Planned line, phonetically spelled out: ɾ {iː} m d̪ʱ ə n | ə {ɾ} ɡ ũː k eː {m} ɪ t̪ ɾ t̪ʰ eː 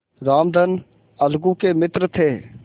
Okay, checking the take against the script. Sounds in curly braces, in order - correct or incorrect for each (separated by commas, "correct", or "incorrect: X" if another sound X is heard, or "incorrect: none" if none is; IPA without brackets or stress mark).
incorrect: aː, incorrect: l, correct